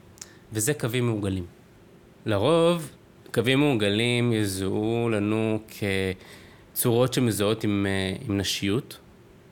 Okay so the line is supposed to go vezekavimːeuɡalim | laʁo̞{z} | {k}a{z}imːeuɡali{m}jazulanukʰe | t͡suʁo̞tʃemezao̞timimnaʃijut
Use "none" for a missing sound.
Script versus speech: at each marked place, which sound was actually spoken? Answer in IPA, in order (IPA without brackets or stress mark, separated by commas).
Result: v, k, v, m